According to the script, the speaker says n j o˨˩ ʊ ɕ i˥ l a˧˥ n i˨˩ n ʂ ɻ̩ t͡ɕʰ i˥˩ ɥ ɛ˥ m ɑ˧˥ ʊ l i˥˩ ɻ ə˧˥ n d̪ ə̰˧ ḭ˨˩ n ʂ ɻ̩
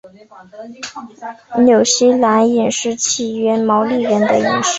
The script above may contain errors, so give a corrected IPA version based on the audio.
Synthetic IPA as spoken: n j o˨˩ ʊ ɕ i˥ l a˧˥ n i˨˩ n ʂ ɻ̩ t͡ɕʰ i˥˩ ɥ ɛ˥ m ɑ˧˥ ʊ l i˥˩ ɻ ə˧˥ n d̪ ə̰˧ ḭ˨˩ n ʂ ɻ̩